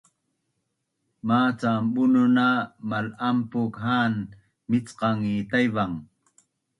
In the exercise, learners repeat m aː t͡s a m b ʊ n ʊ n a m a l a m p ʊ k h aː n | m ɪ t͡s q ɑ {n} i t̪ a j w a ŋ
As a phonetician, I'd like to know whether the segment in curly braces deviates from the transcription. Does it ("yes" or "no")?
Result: yes